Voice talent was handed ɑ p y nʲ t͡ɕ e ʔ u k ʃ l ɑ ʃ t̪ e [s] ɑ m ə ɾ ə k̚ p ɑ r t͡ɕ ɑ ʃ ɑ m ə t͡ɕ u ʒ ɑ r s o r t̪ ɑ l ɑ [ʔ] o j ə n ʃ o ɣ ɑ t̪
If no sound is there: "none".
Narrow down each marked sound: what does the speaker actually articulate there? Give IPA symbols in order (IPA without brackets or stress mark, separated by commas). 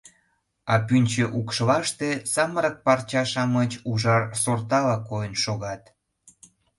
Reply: s, k